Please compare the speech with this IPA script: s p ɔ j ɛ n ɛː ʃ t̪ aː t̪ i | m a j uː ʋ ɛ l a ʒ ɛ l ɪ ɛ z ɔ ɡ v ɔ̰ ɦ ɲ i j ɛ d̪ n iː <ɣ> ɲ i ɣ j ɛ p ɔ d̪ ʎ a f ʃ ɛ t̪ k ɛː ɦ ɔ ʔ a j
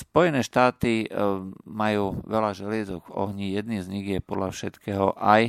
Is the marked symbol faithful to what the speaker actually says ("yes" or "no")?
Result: no